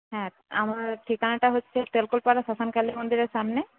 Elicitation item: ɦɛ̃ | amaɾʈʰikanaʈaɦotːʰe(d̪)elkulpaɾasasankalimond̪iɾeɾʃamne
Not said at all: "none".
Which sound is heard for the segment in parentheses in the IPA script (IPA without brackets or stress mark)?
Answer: t̪